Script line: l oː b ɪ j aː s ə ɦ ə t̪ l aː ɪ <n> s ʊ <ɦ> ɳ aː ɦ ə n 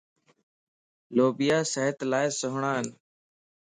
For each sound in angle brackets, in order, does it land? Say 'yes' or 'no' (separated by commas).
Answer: no, yes